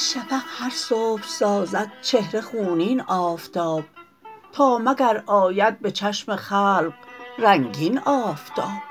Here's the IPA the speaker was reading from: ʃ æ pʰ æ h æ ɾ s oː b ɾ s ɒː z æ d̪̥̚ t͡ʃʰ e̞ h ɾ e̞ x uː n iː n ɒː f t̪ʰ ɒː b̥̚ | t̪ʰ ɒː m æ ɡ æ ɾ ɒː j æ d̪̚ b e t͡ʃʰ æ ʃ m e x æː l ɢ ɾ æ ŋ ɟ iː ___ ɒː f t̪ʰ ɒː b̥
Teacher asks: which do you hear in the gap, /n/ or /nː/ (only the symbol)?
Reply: n